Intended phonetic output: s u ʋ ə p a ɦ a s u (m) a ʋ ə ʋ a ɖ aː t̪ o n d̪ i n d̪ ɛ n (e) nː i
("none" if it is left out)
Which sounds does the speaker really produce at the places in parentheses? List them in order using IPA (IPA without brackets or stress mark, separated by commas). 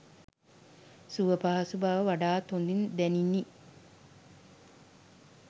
b, i